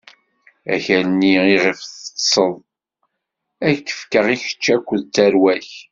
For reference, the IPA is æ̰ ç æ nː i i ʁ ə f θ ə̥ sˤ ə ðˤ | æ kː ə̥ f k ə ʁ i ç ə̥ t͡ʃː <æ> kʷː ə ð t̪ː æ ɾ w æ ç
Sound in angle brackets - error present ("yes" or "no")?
no